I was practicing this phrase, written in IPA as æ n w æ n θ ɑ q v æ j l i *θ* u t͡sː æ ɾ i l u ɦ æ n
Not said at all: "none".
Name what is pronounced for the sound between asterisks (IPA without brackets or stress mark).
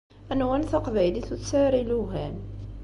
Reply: θ